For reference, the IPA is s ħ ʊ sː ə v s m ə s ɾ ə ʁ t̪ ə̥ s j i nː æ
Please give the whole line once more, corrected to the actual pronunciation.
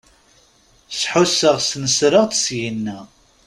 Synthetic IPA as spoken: s ħ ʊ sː ə ʁ s n ə s ɾ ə ʁ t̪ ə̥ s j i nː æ

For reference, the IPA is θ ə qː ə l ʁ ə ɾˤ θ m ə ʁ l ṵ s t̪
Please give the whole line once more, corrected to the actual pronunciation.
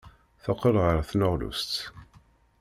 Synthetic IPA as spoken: θ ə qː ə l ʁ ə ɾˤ θ n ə ʁ l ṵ s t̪

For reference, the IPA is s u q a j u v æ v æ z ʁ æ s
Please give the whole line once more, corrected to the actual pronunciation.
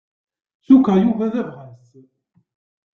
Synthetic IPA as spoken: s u k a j u v æ ð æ v ʁ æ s

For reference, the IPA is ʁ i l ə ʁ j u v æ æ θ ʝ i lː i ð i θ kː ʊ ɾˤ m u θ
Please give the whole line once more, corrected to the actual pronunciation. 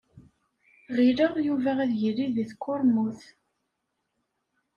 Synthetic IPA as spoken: ʁ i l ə ʁ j u v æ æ ð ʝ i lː i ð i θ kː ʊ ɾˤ m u θ

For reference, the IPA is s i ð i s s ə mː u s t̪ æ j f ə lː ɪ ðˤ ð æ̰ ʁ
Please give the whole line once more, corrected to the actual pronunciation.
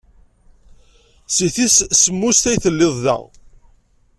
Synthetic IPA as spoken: s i θ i s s ə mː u s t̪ æ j θ ə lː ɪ ðˤ ð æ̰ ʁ

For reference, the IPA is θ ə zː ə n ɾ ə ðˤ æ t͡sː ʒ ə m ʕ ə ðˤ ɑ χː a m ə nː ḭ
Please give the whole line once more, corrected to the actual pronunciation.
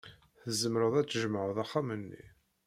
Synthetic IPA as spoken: θ ə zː ə m ɾ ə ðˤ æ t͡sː ʒ ə m ʕ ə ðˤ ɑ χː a m ə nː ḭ

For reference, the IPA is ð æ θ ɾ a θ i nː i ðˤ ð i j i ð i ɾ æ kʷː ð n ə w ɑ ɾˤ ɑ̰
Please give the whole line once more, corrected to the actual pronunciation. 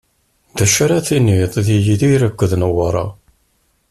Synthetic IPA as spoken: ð æ ʃ ɾ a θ i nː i ðˤ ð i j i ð i ɾ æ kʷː ð n ə w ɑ ɾˤ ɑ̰

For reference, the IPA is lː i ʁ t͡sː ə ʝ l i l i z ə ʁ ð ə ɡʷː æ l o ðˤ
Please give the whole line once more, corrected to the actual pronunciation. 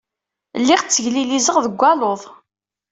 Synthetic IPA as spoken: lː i ʁ t͡sː ə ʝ l i l i z ə ʁ ð ə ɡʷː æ l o ðˤ

